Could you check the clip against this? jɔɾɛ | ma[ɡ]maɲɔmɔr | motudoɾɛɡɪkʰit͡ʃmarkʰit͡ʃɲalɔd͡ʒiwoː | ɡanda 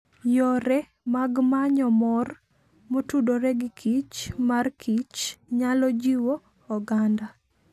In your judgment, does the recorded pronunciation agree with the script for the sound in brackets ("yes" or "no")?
yes